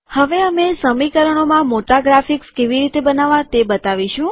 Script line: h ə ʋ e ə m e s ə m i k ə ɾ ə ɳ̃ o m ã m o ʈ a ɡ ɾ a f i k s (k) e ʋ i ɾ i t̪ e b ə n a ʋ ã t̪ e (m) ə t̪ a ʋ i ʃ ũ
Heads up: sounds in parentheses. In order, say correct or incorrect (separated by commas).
correct, incorrect